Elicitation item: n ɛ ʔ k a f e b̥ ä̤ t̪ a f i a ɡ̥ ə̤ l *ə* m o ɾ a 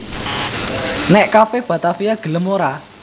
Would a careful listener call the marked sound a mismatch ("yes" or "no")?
no